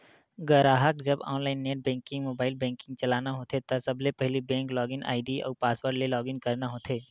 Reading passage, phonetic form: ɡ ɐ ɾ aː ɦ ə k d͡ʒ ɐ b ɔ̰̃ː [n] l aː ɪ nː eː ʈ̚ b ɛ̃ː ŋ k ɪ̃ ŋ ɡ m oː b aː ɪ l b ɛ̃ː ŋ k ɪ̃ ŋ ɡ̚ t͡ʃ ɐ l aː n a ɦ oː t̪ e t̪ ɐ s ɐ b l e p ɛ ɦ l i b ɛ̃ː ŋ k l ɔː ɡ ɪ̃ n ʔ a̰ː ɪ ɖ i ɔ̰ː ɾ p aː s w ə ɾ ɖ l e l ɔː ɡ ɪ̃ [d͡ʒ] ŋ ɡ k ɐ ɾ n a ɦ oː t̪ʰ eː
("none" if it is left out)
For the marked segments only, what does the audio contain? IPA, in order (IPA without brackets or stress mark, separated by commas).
n, none